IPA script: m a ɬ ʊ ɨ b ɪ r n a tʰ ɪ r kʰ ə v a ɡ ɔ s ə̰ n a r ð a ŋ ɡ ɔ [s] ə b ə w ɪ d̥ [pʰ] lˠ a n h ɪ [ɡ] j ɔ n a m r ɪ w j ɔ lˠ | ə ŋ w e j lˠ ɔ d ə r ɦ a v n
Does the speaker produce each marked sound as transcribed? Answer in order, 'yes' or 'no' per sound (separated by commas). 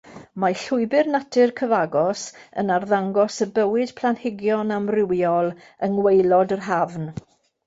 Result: yes, yes, yes